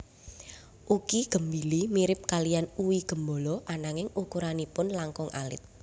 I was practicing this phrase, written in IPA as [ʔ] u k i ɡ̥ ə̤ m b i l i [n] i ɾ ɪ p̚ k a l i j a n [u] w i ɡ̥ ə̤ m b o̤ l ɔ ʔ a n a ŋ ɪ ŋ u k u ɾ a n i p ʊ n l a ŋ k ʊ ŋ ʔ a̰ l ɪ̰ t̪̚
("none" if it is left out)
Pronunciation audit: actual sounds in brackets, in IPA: ʔ, m, u

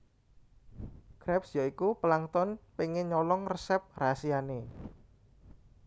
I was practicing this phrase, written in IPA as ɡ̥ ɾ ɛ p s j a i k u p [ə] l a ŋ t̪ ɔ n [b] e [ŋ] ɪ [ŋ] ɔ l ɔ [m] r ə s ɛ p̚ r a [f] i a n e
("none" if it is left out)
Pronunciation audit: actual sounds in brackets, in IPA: ə, p, ŋ, ɲ, ŋ, s

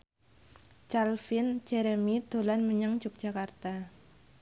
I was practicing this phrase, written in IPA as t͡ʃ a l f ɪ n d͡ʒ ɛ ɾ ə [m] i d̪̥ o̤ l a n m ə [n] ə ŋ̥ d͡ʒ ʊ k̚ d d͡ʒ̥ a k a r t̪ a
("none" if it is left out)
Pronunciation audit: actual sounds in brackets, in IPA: m, ɲ

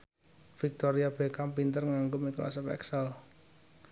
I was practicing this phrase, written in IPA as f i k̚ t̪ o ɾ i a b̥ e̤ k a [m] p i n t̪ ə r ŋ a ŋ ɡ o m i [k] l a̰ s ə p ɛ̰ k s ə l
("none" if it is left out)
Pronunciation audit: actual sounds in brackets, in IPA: m, k

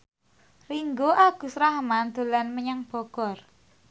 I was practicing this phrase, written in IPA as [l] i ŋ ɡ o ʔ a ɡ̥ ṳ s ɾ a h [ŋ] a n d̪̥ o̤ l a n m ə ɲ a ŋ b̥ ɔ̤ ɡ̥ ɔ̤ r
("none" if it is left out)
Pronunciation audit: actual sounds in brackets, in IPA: r, m

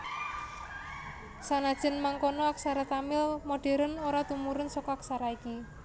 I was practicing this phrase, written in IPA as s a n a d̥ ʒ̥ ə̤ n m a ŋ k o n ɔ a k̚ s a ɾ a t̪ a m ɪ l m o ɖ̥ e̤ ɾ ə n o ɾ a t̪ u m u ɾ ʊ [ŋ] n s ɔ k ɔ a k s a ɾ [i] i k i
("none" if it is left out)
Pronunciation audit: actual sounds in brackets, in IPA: none, a

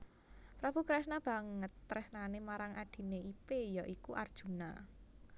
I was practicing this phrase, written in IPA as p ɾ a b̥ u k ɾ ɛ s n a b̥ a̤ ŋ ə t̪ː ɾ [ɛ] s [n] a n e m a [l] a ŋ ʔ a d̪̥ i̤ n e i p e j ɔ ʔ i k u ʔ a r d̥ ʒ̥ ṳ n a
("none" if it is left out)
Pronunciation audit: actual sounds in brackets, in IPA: ɛ, n, ɾ

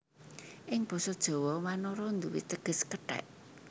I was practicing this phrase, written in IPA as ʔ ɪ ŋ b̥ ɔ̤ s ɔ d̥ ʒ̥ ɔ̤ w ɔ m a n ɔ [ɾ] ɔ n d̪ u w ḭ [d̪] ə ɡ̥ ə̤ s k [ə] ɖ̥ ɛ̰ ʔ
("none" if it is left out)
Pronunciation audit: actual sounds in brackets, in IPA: ɾ, t̪, ə

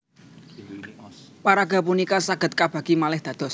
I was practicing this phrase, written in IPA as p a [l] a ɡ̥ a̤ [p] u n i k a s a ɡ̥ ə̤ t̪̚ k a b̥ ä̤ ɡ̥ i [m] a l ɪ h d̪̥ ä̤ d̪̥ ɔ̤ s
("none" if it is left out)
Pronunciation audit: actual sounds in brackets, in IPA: ɾ, p, m

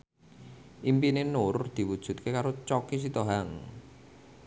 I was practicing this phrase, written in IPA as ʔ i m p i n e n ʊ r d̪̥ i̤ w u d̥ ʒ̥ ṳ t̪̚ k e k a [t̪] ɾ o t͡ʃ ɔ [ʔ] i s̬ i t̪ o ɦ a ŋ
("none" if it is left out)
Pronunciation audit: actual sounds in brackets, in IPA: none, k

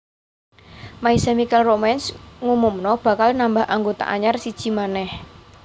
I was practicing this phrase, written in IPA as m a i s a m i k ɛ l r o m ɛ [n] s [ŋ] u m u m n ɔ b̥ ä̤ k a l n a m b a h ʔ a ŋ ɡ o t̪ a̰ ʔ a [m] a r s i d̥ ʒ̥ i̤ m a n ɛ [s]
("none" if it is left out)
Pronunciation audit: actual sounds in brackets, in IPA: n, ŋ, ɲ, h

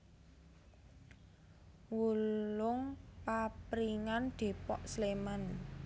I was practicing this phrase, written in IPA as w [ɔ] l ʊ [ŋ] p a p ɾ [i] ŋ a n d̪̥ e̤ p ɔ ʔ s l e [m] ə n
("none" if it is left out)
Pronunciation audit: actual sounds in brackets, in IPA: u, ŋ, i, m

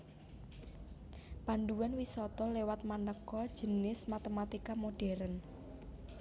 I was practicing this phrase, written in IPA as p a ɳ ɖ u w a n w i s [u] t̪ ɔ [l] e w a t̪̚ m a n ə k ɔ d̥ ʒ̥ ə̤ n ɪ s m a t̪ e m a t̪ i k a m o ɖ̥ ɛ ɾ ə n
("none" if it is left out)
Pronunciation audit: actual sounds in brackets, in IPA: ɔ, l

